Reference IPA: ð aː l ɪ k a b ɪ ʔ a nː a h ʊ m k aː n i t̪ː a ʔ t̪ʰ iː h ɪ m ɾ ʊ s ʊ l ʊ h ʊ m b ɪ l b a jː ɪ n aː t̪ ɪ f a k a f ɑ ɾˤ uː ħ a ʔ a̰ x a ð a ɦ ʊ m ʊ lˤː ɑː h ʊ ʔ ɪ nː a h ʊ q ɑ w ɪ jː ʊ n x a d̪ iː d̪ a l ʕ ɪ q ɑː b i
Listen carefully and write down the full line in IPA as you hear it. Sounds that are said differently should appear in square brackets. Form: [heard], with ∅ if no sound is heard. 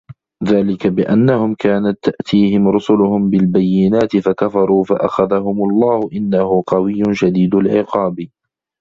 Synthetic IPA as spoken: ð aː l ɪ k a b ɪ ʔ a nː a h ʊ m k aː n [a] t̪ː a ʔ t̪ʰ iː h ɪ m ɾ ʊ s ʊ l ʊ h ʊ m b ɪ l b a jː ɪ n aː t̪ ɪ f a k a f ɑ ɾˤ uː [f] a ʔ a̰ x a ð a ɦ ʊ m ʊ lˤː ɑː h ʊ ʔ ɪ nː a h ʊ q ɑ w ɪ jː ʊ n [ʃ] a d̪ iː d̪ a l ʕ ɪ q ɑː b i